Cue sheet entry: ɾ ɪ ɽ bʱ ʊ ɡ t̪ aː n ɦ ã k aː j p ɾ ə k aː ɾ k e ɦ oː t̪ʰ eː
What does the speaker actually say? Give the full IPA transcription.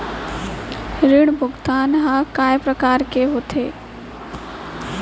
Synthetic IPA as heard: ɾ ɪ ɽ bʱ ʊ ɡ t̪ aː n ɦ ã k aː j p ɾ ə k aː ɾ k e ɦ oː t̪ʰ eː